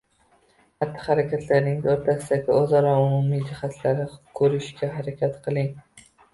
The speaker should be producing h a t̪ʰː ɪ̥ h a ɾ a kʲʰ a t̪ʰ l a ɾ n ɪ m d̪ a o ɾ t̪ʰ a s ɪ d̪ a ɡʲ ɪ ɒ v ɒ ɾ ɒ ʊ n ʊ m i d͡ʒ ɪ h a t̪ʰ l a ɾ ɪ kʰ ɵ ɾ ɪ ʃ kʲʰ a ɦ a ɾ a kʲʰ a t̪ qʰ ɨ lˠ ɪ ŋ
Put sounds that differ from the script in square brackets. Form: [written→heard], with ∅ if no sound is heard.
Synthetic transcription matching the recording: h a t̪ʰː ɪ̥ h a ɾ a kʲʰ a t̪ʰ l a ɾ n ɪ [m→ŋ] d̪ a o ɾ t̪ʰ a s ɪ d̪ a ɡʲ ɪ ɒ [v→z] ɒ ɾ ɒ ʊ [n→m] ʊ m i d͡ʒ ɪ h a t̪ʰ l a ɾ ɪ kʰ ɵ ɾ ɪ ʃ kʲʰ a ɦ a ɾ a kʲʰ a t̪ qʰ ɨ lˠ ɪ ŋ